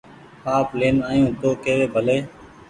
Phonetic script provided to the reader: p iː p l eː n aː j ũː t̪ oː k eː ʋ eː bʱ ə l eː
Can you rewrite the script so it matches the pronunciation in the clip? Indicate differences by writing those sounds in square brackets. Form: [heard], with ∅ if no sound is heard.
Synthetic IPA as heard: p [aː] p l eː n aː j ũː t̪ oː k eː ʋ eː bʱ ə l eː